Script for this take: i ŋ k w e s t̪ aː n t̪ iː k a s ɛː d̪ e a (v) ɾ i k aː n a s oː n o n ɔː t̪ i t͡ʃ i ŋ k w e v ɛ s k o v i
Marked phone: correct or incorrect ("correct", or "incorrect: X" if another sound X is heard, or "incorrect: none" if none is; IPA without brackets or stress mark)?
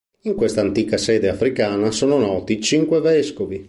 incorrect: f